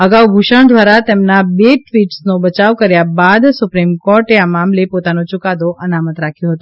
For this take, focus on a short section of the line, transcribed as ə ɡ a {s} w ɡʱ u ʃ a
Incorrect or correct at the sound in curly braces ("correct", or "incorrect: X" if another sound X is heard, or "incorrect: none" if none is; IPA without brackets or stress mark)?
incorrect: none